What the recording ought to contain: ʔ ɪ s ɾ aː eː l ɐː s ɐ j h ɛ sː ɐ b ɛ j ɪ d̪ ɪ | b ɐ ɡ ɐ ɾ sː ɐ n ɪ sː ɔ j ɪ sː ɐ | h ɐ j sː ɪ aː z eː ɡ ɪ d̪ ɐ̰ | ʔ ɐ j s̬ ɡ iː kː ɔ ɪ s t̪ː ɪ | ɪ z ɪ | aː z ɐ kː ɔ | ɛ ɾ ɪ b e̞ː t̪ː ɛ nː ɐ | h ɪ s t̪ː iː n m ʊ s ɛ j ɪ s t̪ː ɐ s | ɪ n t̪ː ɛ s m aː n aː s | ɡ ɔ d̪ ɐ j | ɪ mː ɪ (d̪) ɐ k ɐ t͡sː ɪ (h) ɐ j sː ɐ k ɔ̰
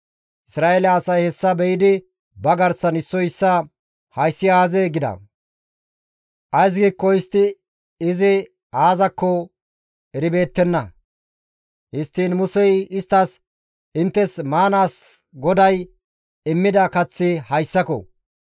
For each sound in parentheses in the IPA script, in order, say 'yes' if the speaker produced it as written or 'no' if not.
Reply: yes, yes

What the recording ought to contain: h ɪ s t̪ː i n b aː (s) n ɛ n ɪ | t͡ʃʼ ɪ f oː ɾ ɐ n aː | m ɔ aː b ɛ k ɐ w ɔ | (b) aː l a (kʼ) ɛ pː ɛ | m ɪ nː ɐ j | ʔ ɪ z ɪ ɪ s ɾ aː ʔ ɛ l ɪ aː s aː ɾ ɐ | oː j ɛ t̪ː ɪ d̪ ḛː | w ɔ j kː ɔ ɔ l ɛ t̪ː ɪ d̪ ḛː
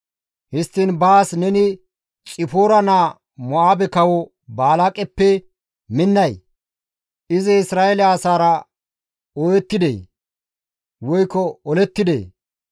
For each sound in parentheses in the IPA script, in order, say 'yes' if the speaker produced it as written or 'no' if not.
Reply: yes, yes, yes

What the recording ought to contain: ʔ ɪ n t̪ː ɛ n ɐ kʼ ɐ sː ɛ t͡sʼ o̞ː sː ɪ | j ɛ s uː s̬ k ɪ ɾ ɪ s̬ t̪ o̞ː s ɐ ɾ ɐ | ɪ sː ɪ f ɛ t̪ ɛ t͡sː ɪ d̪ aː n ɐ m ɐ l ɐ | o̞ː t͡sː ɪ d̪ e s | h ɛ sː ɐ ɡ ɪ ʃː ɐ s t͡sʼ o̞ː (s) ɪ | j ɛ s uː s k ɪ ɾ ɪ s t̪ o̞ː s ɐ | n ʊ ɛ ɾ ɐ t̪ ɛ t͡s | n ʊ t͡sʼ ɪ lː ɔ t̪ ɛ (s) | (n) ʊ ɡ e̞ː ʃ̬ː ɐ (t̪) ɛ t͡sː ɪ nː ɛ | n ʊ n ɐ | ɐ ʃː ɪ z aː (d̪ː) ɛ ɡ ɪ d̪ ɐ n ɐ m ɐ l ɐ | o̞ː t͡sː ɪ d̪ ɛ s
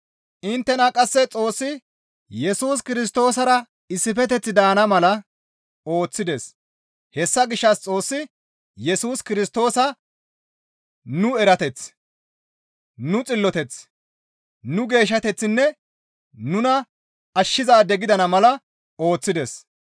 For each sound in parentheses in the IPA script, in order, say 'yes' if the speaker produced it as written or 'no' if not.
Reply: no, no, yes, yes, no

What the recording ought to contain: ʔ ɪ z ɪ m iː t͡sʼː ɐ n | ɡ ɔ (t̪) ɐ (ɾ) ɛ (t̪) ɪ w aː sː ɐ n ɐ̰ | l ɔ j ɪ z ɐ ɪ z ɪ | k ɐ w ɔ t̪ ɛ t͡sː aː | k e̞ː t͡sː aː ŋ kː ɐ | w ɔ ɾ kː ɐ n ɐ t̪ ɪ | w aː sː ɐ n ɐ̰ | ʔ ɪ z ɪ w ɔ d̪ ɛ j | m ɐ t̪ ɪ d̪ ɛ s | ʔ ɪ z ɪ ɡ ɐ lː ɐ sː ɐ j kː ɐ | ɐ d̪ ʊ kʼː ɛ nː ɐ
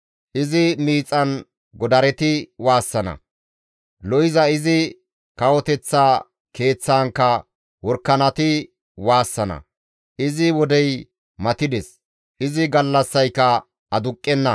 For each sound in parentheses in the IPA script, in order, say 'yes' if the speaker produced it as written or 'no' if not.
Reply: no, yes, yes

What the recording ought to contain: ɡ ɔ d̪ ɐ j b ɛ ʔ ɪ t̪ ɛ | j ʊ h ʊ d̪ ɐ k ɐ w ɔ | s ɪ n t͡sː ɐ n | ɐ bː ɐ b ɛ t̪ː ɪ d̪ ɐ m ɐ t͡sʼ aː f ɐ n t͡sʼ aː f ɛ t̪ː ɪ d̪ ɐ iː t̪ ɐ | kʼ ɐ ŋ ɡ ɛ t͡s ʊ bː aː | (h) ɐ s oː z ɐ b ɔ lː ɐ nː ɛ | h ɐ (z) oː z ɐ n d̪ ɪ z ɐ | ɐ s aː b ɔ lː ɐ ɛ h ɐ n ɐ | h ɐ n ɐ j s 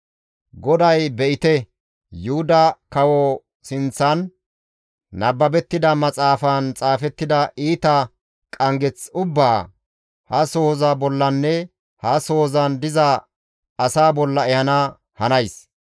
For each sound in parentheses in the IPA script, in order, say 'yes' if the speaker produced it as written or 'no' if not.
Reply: yes, no

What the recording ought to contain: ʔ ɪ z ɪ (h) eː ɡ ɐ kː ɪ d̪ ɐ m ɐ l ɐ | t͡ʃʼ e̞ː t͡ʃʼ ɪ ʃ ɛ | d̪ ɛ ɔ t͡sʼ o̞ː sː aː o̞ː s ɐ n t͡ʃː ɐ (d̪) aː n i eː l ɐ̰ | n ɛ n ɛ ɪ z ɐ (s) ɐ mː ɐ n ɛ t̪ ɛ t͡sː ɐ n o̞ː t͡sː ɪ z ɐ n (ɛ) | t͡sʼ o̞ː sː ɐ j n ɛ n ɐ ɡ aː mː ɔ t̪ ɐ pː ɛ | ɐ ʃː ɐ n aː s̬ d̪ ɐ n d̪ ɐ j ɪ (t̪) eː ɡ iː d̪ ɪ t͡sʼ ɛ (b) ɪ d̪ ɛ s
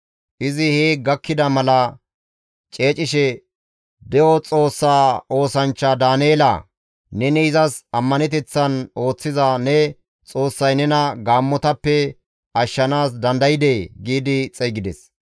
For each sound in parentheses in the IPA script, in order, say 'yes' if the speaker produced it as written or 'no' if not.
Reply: yes, yes, yes, yes, no, no

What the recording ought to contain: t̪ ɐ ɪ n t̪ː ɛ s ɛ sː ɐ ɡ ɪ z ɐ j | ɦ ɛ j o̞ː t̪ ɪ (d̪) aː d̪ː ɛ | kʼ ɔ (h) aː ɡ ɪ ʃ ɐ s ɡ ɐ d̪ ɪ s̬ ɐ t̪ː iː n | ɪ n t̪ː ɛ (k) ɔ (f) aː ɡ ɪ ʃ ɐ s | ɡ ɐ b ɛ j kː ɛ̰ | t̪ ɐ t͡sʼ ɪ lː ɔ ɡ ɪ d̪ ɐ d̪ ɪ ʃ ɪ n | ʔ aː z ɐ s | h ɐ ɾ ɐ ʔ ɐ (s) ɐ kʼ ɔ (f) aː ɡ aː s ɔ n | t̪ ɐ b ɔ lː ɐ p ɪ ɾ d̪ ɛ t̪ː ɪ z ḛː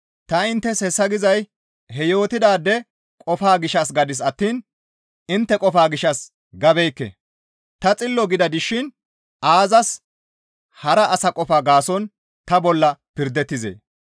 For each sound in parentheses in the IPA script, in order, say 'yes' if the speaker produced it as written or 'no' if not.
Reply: yes, no, no, yes, yes, yes

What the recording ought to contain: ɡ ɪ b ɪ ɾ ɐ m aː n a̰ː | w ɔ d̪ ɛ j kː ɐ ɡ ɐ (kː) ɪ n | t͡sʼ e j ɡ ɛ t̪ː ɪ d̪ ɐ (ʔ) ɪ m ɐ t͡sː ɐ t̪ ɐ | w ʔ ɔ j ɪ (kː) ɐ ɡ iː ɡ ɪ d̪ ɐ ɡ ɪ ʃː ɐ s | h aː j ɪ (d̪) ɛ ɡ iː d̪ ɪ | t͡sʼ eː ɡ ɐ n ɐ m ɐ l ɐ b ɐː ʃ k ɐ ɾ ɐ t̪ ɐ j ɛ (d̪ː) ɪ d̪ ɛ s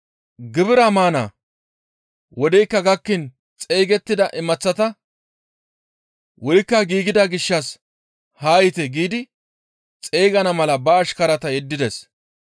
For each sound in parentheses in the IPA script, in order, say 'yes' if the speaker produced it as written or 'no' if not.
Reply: yes, yes, yes, no, yes

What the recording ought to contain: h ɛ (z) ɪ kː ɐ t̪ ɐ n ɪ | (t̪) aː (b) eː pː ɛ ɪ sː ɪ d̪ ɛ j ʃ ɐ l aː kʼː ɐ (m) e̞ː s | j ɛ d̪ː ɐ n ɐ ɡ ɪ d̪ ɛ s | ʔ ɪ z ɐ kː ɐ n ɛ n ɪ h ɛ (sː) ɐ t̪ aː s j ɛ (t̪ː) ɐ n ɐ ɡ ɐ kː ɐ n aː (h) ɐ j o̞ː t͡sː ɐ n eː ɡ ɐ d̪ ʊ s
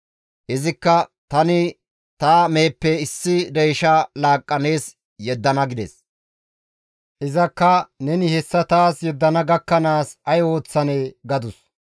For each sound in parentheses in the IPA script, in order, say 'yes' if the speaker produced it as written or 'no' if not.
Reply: yes, yes, no, no, yes, no, no

